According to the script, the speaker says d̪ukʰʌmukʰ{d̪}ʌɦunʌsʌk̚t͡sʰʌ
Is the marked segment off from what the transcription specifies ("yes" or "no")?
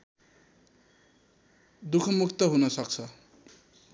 yes